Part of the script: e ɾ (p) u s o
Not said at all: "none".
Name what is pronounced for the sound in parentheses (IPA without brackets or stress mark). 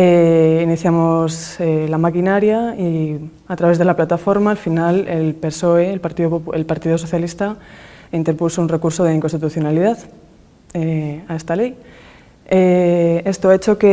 p